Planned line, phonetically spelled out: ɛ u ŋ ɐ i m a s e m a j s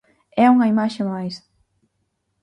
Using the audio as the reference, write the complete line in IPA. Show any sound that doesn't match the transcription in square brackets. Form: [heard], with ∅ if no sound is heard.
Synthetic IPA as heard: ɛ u ŋ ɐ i m a [ʃ] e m a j s

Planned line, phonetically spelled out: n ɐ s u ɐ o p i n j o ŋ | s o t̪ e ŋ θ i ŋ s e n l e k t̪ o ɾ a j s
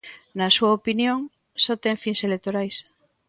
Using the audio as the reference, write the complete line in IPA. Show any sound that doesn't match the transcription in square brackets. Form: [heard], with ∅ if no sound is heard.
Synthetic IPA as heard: n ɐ s u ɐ o p i n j o ŋ | s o t̪ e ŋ [f] i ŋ s e [∅] l e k t̪ o ɾ a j s

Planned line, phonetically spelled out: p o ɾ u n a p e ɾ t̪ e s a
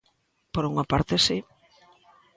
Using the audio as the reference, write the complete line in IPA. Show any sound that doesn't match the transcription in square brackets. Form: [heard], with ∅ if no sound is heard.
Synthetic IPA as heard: p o ɾ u [ŋ] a p [a] ɾ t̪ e s [i]

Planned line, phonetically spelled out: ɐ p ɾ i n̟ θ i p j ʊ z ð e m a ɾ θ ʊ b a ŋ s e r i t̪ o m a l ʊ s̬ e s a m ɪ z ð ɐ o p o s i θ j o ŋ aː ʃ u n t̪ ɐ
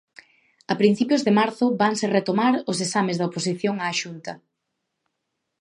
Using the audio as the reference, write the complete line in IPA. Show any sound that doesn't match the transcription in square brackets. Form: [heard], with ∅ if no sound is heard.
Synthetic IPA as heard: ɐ p ɾ i n̟ θ i p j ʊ z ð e m a ɾ θ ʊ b a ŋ s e r [e] t̪ o m a [ɾ] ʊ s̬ e s a m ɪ z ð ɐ o p o s i θ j o ŋ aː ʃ u n t̪ ɐ

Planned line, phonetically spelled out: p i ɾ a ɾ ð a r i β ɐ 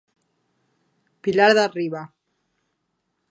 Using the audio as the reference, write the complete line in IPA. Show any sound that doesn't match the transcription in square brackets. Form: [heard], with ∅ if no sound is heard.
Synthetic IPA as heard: p i [l] a ɾ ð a r i β [a]

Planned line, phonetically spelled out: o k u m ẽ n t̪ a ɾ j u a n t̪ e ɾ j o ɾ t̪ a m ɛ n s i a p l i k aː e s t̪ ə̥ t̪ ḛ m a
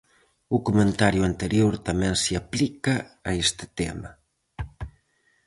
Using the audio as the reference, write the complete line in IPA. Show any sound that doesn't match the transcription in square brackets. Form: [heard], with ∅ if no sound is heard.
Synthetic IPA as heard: [u] k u m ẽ n t̪ a ɾ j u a n t̪ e ɾ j o ɾ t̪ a m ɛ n s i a p l i k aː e s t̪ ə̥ t̪ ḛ m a

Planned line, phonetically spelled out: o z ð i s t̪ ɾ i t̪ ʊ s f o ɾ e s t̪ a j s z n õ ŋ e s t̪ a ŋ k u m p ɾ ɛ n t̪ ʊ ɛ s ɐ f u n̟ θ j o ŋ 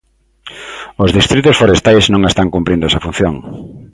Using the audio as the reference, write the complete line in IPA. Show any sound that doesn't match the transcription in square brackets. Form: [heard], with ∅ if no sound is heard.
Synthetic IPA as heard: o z ð i s t̪ ɾ i t̪ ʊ s f o ɾ e s t̪ a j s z n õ ŋ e s t̪ a ŋ k u m p ɾ [i] n [d̪] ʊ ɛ s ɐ f u n̟ θ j o ŋ

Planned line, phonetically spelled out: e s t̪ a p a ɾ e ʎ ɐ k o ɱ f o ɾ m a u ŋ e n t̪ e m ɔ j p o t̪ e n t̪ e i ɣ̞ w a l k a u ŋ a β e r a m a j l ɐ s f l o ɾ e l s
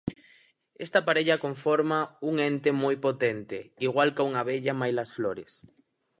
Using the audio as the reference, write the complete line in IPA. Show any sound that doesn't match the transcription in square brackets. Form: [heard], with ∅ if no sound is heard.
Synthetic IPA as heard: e s t̪ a p a ɾ e ʎ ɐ k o ɱ f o ɾ m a u ŋ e n t̪ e m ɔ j p o t̪ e n t̪ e i ɣ̞ w a l k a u ŋ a β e [ʎ] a m a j l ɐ s f l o ɾ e [∅] s

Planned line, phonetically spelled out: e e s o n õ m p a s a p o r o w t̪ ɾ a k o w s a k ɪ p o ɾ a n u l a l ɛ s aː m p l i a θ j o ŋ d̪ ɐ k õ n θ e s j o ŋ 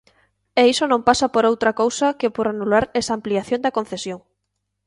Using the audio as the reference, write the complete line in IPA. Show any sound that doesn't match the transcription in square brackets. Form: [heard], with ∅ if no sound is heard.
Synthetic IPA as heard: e [i] s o n õ m p a s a p o [ɾ] o w t̪ ɾ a k o w s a k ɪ p o ɾ a n u l a [ɾ] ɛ s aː m p l i a θ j o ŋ d̪ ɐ k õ n θ e s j o ŋ

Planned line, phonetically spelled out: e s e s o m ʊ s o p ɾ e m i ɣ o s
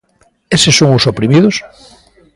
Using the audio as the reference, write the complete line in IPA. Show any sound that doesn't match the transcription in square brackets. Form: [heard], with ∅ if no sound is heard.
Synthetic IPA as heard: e s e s o [ŋ] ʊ s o p ɾ [i] m i [ð] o s

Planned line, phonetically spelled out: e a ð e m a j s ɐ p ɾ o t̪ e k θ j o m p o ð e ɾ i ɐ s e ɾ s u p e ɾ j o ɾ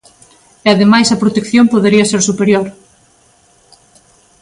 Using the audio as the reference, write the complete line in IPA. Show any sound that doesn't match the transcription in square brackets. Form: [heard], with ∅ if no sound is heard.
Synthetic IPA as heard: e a ð e m a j s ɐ p ɾ o t̪ e k θ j o m p o ð e ɾ i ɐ s e ɾ s u p e ɾ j o ɾ

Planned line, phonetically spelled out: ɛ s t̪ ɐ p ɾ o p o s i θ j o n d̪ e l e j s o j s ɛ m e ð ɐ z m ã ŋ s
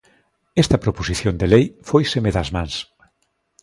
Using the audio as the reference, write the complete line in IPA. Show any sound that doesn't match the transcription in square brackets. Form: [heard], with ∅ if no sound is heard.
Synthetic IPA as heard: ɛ s t̪ ɐ p ɾ o p o s i θ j o n d̪ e l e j [f] o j s [e] m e ð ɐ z m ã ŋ s

